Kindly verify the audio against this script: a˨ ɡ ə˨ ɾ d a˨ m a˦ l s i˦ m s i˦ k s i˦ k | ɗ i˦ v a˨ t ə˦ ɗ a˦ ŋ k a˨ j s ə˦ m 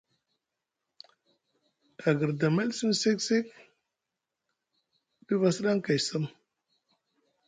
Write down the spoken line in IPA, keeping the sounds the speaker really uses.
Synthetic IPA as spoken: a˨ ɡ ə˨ ɾ d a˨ m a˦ l s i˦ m s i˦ k s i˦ k | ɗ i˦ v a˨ s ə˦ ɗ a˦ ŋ k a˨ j s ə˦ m